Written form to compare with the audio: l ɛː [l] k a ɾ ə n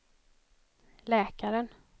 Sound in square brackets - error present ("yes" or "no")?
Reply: yes